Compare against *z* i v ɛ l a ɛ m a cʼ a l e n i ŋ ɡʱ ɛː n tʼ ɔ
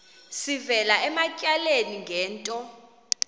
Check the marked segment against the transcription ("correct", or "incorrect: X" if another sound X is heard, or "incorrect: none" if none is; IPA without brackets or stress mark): incorrect: s